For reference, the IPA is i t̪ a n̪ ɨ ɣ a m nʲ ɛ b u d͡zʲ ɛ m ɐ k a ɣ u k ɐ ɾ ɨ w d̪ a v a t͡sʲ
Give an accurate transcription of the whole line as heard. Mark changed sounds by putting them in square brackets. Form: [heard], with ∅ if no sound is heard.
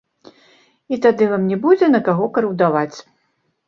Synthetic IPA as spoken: i t̪ a [d̪] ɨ [v] a m nʲ ɛ b u d͡zʲ ɛ [n] ɐ k a ɣ [ɔ] k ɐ ɾ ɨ w d̪ a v a t͡sʲ